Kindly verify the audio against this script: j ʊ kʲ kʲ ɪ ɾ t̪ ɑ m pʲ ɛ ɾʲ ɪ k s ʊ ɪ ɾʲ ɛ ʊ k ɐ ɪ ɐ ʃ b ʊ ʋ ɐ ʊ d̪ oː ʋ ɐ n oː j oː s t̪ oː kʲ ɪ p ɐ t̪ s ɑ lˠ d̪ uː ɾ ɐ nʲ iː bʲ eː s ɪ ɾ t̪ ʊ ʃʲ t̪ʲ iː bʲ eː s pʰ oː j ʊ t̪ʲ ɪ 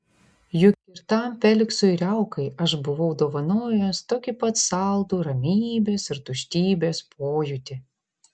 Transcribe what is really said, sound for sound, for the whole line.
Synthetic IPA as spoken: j ʊ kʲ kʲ ɪ ɾ t̪ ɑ m pʲ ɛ lʲ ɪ k s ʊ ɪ ɾʲ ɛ ʊ k ɐ ɪ ɐ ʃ b ʊ ʋ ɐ ʊ d̪ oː ʋ ɐ n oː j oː s t̪ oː kʲ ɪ p ɐ t̪ s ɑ lˠ d̪ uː ɾ ɐ mʲ iː bʲ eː s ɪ ɾ t̪ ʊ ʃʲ t̪ʲ iː bʲ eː s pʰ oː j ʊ t̪ʲ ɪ